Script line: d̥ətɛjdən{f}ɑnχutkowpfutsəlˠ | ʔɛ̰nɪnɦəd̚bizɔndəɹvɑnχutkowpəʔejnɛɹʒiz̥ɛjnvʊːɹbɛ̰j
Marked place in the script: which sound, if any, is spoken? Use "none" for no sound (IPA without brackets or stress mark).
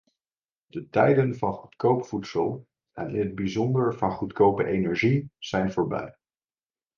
v